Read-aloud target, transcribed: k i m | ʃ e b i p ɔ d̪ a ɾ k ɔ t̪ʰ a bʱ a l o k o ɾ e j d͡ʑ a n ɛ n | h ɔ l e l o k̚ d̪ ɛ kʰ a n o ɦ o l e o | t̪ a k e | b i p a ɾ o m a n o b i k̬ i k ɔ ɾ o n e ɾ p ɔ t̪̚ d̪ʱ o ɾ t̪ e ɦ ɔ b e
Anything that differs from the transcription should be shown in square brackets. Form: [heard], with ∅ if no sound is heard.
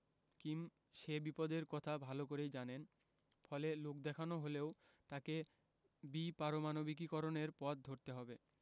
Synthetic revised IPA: k i m | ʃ e b i p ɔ d̪ [e] ɾ k ɔ t̪ʰ a bʱ a l o k o ɾ e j d͡ʑ a n [e] n | [f] ɔ l e l o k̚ d̪ ɛ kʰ a n o ɦ o l e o | t̪ a k e | b i p a ɾ o m a n o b i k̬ i k ɔ ɾ o n e ɾ p ɔ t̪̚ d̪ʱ o ɾ t̪ e ɦ ɔ b e

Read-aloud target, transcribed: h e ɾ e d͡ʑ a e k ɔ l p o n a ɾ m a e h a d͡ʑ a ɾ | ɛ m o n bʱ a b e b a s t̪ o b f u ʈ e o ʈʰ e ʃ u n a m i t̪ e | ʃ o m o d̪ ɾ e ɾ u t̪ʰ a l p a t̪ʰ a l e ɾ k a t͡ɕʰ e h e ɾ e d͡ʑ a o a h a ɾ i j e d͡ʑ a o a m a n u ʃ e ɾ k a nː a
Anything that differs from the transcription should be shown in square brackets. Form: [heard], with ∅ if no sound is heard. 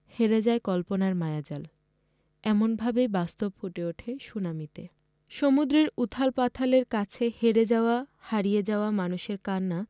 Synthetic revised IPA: h e ɾ e d͡ʑ a e k ɔ l p o n a ɾ m a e [∅] a d͡ʑ a [l] | ɛ m o n bʱ a b e b a s t̪ o b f u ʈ e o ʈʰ e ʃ u n a m i t̪ e | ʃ o m [u] d̪ ɾ e ɾ u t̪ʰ a l p a t̪ʰ a l e ɾ k a t͡ɕʰ e h e ɾ e d͡ʑ a o a h a ɾ i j e d͡ʑ a o a m a n u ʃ e ɾ k a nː a

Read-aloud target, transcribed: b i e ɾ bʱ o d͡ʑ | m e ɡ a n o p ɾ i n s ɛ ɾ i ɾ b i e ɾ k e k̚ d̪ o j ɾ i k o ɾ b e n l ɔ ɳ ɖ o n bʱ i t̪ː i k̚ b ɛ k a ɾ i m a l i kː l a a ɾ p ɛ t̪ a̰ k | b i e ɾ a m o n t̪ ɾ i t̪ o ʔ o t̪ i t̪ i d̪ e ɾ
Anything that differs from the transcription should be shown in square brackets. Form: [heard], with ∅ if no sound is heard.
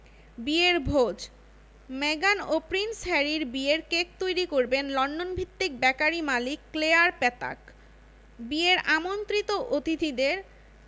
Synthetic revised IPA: b i e ɾ bʱ o d͡ʑ | m e ɡ a n o p ɾ i n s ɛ ɾ i ɾ b i e ɾ k e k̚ [t̪] o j ɾ i k o ɾ b e n l ɔ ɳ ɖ o n bʱ i t̪ː i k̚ b ɛ k a ɾ i m a l i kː l [e] a ɾ p ɛ t̪ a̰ k | b i e ɾ a m o n t̪ ɾ i t̪ o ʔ o t̪ i t̪ i d̪ e ɾ

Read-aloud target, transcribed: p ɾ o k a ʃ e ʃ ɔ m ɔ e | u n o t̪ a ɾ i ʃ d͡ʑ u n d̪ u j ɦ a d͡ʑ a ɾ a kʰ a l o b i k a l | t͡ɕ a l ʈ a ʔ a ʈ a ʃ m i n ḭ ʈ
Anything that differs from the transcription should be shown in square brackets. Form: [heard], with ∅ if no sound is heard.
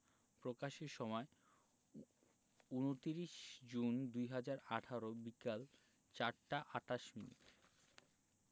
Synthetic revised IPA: p ɾ o k a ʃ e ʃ ɔ m ɔ e | u n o t̪ [i] ɾ i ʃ d͡ʑ u n d̪ u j ɦ a d͡ʑ a ɾ a [ʈʰ] a [ɾ] o b i k a l | t͡ɕ a [ɾ] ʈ a ʔ a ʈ a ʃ m i n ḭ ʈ

